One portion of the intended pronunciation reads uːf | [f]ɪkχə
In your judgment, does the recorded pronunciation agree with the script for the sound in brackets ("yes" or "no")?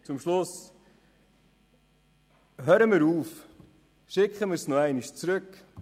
no